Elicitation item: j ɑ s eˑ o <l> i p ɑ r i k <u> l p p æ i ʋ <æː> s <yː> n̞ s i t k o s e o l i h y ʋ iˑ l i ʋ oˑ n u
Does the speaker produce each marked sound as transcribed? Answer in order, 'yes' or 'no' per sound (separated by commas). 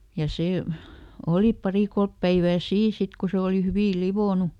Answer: yes, no, yes, no